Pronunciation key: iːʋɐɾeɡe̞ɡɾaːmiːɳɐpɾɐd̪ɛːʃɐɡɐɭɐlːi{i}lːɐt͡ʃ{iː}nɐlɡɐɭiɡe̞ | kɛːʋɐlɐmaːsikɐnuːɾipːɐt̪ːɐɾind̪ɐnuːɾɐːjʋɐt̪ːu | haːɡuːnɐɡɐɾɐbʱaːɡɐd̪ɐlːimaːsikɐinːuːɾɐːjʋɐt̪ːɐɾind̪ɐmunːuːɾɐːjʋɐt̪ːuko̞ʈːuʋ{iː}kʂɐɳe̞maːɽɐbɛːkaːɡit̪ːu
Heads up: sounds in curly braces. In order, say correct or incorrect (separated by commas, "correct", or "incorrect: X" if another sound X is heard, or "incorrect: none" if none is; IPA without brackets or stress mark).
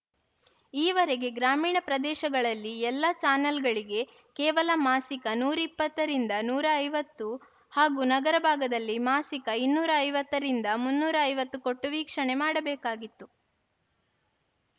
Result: incorrect: ɛ, incorrect: aː, correct